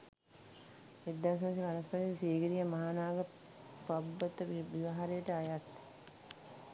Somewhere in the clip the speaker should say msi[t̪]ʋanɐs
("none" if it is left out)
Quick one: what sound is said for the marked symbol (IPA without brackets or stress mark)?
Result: none